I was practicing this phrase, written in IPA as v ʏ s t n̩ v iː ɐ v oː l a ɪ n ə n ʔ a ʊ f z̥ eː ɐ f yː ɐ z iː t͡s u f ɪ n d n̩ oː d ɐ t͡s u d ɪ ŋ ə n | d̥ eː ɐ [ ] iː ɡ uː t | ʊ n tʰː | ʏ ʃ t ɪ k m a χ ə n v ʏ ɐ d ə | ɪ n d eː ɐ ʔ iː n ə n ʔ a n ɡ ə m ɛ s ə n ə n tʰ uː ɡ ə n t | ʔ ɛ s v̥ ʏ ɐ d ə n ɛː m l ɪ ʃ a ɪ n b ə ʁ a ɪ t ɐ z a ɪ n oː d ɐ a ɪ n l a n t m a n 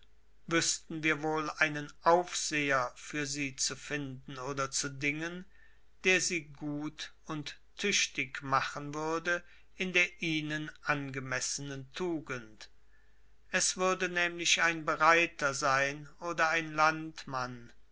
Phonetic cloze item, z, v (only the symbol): z